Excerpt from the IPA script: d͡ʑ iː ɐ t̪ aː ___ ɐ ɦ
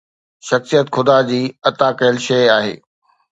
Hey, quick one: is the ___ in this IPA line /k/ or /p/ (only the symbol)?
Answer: k